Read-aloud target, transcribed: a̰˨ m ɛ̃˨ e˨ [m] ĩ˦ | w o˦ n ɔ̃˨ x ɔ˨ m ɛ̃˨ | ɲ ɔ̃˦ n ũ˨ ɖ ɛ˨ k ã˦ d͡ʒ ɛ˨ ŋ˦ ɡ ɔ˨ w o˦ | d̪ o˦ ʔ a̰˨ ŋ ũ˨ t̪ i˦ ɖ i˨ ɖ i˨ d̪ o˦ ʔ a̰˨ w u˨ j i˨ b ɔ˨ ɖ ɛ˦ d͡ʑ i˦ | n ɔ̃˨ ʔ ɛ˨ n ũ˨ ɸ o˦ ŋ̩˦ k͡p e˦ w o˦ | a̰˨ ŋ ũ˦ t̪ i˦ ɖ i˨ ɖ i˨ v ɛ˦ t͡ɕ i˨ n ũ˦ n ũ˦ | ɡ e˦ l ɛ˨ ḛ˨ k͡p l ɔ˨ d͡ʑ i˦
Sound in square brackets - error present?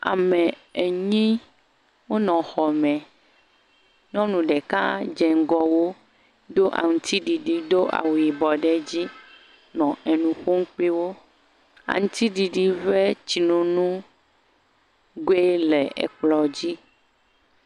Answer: yes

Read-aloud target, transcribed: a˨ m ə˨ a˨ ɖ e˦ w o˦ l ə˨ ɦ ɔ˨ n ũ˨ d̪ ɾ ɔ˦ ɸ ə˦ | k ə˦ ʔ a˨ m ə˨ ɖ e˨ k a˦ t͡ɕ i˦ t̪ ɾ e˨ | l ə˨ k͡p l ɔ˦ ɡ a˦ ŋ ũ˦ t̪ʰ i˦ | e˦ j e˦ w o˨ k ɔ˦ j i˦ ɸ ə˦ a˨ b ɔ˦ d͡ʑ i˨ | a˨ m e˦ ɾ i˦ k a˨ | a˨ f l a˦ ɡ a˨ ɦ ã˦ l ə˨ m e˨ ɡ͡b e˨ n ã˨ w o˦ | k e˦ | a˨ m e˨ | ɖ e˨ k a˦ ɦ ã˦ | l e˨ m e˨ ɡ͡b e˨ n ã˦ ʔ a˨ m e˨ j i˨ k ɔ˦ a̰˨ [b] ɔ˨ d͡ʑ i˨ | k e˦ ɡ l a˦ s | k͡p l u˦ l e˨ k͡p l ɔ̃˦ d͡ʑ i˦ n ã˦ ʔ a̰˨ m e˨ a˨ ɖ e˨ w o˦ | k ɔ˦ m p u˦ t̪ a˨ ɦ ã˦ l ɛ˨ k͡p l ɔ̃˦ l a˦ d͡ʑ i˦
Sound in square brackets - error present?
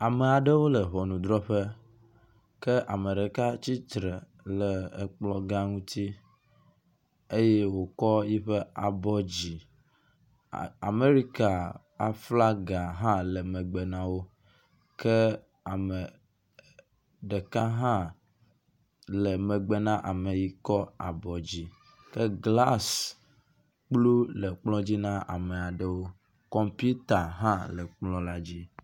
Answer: no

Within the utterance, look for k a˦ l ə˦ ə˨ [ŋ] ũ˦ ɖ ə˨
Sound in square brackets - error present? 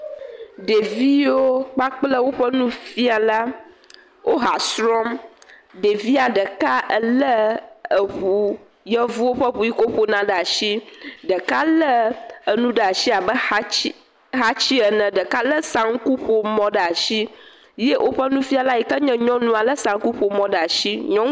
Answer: yes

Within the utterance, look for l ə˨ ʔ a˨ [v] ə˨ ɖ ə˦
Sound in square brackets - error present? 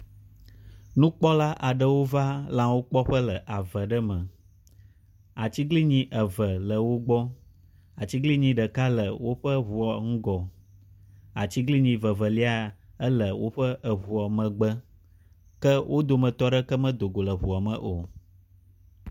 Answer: no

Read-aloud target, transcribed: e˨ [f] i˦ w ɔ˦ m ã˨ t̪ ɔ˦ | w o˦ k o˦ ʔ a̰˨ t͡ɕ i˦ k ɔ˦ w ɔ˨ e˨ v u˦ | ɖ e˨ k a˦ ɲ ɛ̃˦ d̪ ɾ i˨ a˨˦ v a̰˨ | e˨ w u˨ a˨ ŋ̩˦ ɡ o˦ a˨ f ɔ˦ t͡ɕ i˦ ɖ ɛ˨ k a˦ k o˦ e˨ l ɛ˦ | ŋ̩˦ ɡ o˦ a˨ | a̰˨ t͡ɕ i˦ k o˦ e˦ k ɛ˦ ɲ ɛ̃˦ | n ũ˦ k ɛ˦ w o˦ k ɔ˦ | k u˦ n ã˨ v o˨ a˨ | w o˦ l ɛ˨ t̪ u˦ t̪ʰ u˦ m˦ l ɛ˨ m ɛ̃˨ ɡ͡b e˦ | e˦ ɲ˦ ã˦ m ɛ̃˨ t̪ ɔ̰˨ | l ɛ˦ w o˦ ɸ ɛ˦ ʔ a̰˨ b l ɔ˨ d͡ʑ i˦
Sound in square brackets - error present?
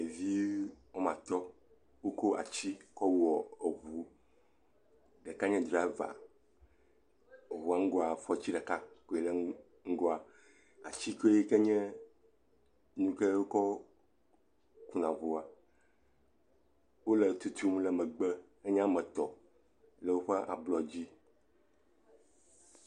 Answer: yes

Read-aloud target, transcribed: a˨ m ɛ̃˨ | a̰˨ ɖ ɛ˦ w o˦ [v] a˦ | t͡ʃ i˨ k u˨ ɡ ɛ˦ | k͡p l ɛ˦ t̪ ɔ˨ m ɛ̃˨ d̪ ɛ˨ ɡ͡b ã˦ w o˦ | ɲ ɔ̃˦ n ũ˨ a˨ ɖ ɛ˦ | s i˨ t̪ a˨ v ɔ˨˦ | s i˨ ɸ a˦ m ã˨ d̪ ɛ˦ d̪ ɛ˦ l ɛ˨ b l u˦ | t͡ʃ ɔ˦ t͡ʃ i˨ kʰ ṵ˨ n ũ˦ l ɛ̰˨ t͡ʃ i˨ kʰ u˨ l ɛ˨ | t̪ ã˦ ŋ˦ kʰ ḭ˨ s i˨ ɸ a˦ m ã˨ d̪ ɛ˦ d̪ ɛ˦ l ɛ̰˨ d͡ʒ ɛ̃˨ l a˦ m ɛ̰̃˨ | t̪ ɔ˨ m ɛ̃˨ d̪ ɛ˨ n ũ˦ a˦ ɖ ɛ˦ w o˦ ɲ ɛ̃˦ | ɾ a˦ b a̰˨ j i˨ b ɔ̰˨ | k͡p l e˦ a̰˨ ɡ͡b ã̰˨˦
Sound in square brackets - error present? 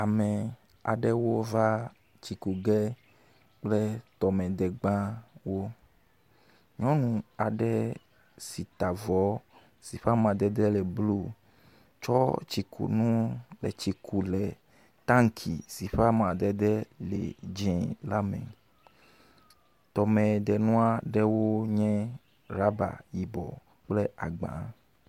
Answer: no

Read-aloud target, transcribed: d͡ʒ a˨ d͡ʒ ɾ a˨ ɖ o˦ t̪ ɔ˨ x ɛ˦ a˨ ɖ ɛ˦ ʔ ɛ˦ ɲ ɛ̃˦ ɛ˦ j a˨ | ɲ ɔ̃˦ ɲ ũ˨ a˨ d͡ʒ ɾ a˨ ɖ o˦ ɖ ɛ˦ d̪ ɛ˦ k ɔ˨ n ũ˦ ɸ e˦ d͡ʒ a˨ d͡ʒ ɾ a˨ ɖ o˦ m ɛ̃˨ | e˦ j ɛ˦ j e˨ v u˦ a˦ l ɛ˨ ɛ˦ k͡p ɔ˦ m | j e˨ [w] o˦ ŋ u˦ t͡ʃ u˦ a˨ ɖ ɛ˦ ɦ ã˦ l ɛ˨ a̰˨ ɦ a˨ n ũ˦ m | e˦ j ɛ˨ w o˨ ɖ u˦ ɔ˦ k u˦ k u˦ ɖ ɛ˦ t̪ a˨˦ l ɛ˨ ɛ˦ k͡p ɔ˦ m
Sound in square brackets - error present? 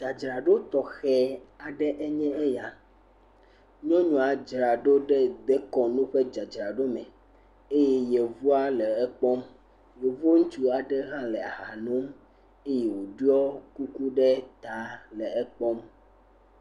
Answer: yes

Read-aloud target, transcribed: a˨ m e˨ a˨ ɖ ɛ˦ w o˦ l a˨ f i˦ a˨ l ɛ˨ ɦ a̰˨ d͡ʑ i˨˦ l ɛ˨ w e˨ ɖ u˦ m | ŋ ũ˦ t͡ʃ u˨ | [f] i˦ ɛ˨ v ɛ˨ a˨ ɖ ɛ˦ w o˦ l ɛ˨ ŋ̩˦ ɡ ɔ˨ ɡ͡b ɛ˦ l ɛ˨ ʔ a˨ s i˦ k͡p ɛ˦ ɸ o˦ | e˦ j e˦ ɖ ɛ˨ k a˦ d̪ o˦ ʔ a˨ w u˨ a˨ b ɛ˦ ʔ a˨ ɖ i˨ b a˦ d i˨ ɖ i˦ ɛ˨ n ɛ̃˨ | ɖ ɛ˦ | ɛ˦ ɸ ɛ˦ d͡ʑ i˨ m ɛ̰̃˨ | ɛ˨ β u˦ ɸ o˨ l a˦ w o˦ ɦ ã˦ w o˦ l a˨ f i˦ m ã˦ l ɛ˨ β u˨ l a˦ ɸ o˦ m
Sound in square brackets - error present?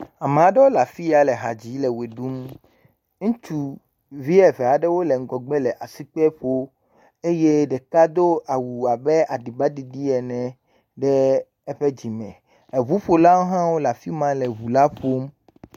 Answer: yes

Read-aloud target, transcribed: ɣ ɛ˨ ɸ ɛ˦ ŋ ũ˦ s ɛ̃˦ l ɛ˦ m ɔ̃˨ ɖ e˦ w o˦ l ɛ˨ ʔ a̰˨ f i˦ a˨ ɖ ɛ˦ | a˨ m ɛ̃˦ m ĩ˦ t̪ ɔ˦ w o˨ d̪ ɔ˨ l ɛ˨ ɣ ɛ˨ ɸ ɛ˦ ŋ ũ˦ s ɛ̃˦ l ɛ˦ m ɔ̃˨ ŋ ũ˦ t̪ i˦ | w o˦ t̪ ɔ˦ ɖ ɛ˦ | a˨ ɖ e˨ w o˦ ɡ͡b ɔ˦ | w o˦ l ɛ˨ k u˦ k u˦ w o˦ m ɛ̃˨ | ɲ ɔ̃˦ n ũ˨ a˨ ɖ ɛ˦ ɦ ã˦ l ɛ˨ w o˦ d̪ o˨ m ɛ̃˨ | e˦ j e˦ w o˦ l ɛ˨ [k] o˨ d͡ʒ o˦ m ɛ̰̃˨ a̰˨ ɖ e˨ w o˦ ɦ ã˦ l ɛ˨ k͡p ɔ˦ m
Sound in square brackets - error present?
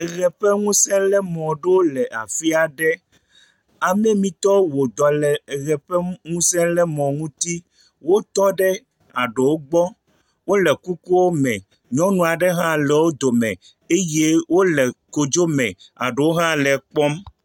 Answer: no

